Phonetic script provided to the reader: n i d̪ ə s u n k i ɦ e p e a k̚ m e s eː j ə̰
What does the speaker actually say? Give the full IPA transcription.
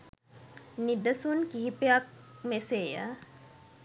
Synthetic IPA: n i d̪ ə s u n k i ɦ i p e a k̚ m e s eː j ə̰